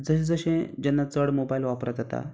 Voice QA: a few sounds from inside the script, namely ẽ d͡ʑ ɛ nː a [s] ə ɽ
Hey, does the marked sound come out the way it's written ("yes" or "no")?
no